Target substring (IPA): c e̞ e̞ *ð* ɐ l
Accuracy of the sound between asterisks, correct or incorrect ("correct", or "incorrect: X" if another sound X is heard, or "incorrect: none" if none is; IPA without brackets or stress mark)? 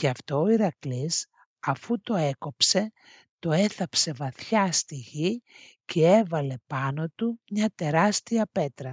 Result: incorrect: v